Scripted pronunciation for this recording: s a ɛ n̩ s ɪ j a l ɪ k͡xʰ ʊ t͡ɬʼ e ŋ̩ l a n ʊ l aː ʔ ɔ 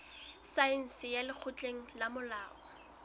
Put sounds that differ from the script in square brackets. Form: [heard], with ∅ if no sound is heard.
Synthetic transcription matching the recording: s a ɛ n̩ s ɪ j a l ɪ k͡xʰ ʊ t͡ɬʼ e ŋ̩ l a [m] ʊ l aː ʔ ɔ